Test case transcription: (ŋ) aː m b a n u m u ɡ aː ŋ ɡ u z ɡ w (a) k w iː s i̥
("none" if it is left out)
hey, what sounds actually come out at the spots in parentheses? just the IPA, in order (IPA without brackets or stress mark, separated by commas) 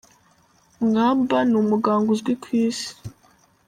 ŋ, i